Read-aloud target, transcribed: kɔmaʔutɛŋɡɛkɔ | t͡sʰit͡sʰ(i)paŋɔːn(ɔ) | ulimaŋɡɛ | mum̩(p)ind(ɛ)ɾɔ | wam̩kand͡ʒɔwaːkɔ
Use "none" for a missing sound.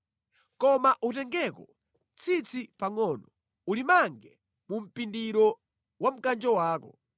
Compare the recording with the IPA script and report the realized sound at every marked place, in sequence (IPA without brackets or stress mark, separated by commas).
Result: i, ɔ, p, i